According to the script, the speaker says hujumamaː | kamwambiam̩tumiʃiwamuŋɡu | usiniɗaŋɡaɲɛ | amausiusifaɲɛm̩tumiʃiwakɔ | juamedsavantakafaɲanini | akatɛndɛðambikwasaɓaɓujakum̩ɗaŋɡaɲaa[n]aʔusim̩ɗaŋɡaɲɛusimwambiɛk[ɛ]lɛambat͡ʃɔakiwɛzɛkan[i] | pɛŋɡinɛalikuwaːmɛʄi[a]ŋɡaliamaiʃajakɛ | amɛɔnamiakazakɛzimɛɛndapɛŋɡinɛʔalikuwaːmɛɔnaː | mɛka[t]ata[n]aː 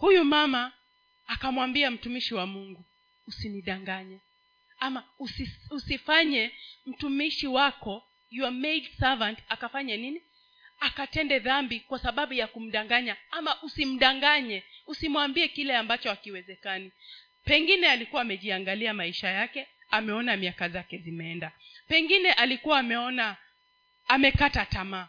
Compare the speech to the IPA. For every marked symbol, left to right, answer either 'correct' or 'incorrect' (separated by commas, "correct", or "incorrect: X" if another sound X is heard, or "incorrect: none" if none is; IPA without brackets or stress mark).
incorrect: m, incorrect: i, correct, correct, correct, incorrect: m